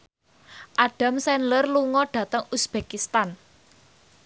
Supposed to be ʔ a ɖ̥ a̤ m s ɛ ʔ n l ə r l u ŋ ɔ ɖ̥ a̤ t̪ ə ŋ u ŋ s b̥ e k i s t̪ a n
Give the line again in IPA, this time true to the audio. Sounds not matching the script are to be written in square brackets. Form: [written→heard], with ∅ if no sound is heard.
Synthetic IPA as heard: ʔ a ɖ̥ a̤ m s ɛ [ʔ→∅] n l ə r l u ŋ ɔ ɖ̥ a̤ t̪ ə ŋ u [ŋ→∅] s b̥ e k i s t̪ a n